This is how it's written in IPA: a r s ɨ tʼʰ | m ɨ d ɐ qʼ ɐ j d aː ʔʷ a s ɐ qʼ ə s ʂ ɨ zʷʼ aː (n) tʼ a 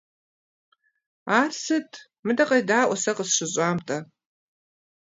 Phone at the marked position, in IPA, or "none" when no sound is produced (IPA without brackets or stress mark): m